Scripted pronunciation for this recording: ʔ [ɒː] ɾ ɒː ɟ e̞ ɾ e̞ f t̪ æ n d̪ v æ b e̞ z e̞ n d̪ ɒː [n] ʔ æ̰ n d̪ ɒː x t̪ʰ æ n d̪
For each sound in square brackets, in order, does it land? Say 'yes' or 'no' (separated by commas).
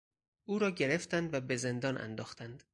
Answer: no, yes